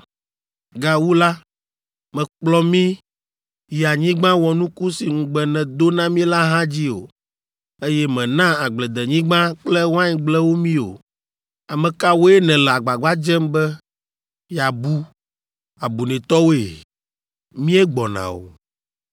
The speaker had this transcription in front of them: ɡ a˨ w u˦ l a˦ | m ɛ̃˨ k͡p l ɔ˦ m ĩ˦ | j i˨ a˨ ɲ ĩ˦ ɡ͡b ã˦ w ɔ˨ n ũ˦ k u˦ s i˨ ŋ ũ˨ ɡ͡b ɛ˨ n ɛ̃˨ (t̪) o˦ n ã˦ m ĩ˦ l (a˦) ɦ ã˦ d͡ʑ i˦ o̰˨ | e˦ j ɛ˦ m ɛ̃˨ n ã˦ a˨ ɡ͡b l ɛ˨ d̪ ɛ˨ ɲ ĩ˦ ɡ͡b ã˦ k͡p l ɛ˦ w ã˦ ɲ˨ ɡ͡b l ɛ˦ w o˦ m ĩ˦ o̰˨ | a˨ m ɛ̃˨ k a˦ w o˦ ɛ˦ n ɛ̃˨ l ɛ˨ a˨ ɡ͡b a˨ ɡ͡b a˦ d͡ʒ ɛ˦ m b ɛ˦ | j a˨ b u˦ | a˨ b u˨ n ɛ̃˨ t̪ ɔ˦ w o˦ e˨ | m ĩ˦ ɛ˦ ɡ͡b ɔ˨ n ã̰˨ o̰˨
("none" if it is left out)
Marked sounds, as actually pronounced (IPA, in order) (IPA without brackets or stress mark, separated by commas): d̪, a˦